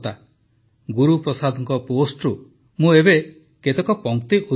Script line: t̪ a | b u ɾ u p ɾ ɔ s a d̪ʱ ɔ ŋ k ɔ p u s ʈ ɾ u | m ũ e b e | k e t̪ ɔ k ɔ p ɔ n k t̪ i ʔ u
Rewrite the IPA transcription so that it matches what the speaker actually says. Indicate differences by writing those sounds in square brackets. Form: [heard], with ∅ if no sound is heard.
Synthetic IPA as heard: t̪ a | [ɡ] u ɾ u p ɾ ɔ s a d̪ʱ ɔ ŋ k ɔ p [o] s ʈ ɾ u | m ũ e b e | k e t̪ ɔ k ɔ p ɔ [ŋ] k t̪ i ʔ u